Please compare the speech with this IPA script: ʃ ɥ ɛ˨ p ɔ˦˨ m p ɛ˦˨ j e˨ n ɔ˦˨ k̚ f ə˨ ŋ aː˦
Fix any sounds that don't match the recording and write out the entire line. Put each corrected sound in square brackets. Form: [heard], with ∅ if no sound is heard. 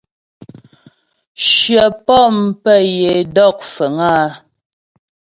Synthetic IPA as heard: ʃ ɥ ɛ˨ p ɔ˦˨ m p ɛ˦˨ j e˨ [d] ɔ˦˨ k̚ f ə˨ ŋ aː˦